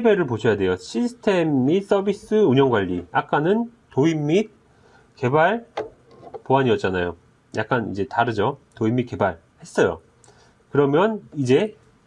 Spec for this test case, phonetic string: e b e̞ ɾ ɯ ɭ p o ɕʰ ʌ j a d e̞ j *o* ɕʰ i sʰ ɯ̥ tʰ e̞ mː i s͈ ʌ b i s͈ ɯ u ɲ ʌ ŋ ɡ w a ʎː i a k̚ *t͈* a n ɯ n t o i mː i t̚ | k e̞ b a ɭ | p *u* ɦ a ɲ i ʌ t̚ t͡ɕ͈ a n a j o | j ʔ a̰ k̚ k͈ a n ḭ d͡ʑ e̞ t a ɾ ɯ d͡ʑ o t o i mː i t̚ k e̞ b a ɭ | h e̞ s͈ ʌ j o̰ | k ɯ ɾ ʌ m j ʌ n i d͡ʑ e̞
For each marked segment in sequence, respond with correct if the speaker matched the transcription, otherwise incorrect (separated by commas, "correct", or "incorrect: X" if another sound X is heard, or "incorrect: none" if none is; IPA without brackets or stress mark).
correct, incorrect: k͈, incorrect: o